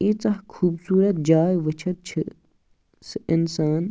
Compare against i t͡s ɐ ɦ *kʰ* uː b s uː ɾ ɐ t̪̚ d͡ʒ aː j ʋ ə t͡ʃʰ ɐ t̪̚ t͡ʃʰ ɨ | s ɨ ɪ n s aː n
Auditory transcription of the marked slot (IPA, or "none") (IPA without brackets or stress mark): kʰ